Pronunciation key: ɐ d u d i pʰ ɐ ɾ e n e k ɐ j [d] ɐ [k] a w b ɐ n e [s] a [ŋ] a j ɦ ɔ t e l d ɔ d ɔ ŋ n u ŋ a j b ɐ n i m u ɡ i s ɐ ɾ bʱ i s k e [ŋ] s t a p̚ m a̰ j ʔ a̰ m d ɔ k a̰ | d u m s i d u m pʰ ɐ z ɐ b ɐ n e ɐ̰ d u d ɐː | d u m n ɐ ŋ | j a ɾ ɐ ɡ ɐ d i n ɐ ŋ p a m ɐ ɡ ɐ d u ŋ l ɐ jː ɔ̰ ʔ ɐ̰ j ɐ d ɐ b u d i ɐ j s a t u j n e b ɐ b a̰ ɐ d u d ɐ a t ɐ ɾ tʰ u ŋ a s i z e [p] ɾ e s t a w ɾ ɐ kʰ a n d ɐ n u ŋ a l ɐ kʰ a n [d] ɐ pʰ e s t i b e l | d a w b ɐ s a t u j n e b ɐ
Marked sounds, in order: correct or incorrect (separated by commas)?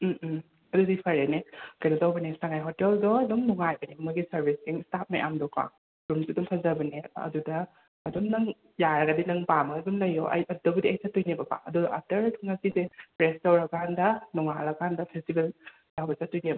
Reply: incorrect, incorrect, correct, correct, correct, correct, correct